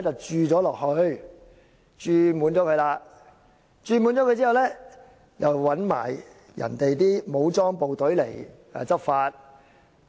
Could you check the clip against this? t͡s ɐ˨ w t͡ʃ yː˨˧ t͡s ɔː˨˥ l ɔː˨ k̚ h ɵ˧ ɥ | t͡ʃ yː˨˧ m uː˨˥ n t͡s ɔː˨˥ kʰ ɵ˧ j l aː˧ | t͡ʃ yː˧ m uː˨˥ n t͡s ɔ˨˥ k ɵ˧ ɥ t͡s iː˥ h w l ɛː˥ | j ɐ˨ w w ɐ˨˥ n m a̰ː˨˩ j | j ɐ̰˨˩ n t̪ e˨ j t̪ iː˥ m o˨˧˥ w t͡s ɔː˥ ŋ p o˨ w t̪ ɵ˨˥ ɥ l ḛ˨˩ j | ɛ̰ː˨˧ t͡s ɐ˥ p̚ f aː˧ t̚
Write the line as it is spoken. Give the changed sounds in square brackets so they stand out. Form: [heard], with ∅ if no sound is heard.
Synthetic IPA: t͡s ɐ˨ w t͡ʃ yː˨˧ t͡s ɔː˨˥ l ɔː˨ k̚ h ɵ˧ ɥ | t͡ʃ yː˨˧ m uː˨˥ n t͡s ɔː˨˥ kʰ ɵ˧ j l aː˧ | t͡ʃ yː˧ m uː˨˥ n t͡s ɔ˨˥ k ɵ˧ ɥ t͡s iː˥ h w l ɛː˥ | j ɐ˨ w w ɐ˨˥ n m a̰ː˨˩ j | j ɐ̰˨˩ n t̪ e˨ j t̪ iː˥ m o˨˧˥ w t͡s ɔː˥ ŋ p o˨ w t̪ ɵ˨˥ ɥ l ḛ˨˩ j | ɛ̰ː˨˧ t͡s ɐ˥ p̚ f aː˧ t̚